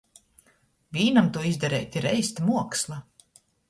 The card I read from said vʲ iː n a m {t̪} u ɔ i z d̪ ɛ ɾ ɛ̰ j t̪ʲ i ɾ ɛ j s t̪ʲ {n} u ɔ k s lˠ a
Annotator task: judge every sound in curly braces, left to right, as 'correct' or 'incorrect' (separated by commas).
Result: correct, incorrect